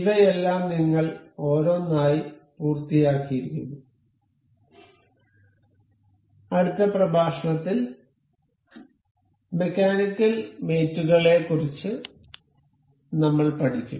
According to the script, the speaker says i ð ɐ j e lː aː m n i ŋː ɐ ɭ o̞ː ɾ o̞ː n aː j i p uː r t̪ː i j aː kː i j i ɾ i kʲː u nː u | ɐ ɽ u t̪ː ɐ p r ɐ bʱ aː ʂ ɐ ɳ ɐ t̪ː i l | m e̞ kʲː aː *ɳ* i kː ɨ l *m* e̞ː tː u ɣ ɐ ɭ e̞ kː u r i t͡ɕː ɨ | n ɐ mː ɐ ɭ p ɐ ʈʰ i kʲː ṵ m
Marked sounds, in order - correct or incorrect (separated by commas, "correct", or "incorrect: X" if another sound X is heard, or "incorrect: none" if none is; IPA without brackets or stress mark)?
incorrect: n, correct